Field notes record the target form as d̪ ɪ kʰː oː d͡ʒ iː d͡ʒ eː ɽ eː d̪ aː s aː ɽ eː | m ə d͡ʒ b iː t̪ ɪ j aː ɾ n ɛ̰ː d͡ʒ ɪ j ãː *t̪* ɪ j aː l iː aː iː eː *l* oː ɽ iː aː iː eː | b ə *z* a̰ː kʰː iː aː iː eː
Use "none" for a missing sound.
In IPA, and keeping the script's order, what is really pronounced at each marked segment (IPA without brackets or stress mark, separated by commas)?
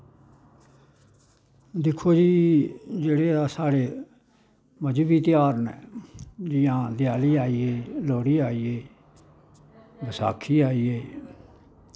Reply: d̪, l, s